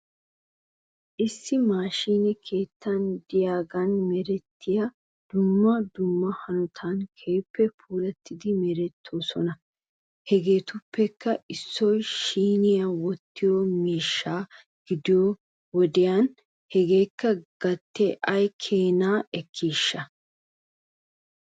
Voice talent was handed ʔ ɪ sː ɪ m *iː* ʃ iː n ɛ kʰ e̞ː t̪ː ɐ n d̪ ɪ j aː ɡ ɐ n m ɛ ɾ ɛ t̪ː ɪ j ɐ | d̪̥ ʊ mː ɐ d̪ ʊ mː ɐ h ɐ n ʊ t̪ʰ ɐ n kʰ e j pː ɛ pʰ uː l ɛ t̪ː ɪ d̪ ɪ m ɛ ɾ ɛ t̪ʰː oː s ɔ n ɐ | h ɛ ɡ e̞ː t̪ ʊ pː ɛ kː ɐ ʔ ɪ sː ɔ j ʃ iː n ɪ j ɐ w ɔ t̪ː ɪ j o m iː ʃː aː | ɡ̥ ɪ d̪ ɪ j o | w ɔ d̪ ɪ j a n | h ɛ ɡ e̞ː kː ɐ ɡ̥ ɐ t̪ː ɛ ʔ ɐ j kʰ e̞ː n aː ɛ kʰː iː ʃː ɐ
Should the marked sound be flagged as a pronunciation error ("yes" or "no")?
yes